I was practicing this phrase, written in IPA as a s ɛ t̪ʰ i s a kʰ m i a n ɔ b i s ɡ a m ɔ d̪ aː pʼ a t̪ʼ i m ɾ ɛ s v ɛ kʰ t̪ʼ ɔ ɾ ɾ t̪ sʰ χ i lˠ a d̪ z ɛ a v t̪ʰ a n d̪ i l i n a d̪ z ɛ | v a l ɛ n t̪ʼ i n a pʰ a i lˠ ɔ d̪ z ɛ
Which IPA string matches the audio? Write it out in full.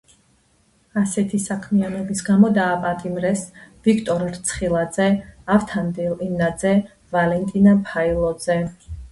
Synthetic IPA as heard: a s ɛ t̪ʰ i s a kʰ m i a n ɔ b i s ɡ a m ɔ d̪ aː pʼ a t̪ʼ i m ɾ ɛ s v i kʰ t̪ʼ ɔ ɾ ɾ t̪ sʰ χ i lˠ a d̪ z ɛ a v t̪ʰ a n d̪ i l i n a d̪ z ɛ | v a l ɛ n t̪ʼ i n a pʰ a i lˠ ɔ d̪ z ɛ